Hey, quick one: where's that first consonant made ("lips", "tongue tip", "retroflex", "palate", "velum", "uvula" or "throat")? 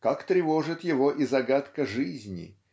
velum